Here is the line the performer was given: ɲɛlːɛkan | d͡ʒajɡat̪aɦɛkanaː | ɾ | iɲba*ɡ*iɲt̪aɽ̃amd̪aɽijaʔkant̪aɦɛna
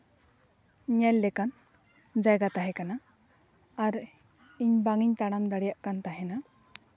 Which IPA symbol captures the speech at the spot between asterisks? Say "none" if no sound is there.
ŋ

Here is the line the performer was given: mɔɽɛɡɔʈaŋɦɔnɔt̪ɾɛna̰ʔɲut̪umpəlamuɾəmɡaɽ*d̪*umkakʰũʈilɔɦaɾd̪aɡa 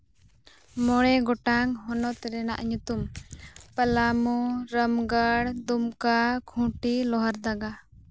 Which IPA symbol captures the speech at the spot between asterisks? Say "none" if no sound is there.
d̪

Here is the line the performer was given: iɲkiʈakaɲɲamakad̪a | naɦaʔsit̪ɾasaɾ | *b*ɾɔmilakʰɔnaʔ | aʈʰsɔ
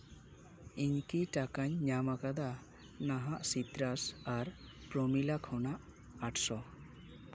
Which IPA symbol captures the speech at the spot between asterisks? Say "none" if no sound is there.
p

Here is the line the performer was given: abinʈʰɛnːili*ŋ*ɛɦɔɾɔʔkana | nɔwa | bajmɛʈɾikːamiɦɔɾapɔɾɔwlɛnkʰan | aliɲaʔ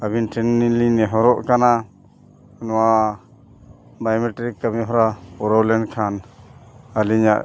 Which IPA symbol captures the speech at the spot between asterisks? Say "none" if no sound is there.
n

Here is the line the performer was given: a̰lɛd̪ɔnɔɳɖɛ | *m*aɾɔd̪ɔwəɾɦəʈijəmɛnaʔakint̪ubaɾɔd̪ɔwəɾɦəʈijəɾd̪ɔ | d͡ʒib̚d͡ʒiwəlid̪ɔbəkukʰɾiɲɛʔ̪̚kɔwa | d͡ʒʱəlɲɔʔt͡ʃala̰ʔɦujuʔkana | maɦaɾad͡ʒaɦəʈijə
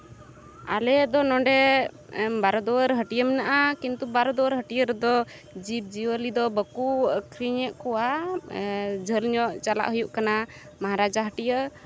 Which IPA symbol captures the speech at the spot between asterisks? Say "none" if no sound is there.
b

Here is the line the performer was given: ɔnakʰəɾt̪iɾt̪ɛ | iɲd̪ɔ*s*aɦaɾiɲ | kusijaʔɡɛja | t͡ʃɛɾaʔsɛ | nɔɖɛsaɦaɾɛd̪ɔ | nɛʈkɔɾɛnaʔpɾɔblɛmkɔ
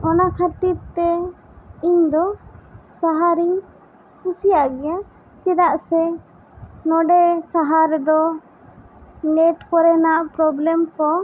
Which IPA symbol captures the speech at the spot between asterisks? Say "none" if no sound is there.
s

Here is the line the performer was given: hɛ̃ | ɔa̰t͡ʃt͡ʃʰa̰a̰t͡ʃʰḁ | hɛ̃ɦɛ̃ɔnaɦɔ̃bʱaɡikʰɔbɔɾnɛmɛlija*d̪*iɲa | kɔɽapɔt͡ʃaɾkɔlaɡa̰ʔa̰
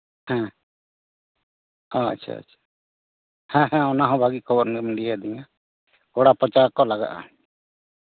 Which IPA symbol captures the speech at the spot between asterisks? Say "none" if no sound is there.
d̪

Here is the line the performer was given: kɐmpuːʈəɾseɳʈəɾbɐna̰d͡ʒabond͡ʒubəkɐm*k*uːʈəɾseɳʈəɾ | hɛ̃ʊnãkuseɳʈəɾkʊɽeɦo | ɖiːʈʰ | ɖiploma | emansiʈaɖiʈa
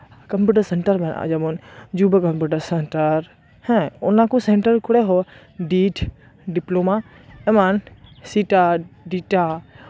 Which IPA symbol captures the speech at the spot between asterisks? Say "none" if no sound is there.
p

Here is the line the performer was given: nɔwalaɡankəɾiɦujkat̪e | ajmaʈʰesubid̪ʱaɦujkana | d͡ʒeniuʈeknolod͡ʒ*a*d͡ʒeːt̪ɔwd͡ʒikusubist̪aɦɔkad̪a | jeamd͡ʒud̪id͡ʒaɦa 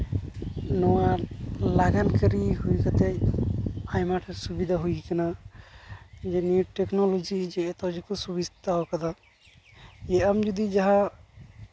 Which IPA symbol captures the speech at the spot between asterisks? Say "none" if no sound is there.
i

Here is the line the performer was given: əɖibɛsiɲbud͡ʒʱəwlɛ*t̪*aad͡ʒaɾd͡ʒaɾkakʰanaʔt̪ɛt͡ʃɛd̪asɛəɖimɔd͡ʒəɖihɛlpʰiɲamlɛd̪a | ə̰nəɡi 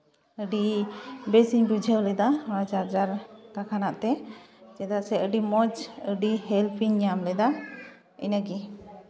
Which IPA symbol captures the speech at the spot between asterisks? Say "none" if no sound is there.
d̪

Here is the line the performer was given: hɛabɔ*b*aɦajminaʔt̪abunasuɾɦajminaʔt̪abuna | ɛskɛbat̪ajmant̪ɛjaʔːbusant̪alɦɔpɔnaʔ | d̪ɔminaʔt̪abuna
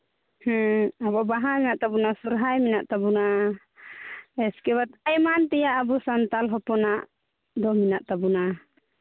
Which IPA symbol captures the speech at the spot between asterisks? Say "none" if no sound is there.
b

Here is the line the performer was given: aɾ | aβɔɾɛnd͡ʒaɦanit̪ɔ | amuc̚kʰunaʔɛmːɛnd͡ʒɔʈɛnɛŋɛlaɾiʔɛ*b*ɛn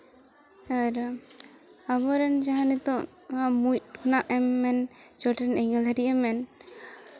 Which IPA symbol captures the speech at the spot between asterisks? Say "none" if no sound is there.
m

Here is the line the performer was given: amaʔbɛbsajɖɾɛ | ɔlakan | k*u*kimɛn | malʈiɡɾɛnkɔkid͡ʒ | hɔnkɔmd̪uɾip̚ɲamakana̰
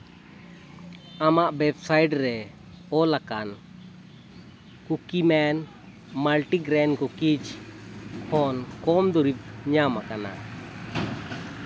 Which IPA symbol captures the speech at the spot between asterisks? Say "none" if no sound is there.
u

